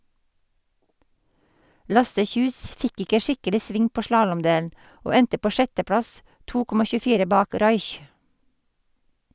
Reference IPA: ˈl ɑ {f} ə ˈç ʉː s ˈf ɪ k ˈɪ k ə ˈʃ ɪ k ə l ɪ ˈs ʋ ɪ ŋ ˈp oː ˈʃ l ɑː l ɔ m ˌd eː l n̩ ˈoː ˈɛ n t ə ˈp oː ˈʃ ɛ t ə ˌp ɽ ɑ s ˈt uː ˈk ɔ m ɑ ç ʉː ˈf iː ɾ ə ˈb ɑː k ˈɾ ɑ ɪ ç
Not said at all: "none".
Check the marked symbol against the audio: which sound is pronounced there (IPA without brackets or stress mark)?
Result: s